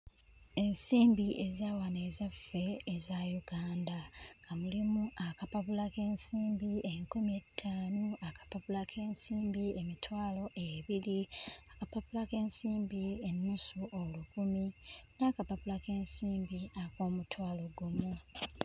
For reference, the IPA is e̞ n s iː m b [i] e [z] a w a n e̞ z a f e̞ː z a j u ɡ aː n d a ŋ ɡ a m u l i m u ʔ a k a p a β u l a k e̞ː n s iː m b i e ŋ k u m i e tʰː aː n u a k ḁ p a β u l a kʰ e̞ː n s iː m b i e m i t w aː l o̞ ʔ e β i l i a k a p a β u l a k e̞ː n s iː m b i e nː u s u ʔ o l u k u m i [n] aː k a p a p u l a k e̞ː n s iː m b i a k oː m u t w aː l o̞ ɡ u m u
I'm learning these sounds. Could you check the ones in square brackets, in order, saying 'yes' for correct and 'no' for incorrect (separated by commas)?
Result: yes, yes, yes